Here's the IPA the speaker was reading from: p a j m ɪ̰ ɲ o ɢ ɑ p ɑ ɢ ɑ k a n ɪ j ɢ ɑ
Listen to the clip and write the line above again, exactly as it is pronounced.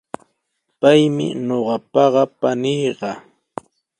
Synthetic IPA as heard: p a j m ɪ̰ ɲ o ɢ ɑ p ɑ ɢ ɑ p a n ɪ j ɢ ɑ